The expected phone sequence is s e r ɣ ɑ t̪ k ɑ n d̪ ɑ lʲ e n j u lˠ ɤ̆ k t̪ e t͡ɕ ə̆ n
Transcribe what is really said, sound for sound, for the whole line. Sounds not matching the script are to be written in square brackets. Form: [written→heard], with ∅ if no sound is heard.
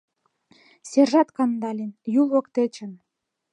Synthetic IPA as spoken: s e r [ɣ→ʒ] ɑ t̪ k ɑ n d̪ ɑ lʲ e n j u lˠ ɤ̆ k t̪ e t͡ɕ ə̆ n